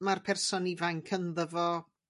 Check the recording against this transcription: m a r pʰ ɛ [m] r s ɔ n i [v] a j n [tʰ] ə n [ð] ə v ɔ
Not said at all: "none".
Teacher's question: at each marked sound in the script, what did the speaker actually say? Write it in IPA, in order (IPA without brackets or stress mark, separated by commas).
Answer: none, v, kʰ, ð